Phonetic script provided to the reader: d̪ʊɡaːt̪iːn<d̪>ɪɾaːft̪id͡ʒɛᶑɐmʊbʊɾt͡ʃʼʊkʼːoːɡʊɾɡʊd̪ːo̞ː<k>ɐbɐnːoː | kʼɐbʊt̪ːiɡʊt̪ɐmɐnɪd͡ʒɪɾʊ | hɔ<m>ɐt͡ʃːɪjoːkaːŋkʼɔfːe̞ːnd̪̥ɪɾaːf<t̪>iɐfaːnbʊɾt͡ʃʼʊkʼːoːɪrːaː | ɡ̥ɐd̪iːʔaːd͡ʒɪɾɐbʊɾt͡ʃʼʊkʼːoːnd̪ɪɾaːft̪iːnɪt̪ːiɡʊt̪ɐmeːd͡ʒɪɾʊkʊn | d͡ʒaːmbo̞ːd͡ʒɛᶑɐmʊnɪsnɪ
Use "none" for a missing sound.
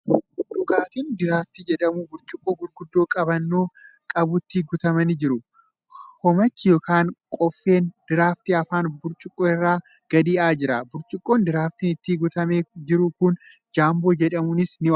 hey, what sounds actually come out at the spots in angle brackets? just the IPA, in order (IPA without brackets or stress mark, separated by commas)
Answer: d̪, kʼ, m, t̪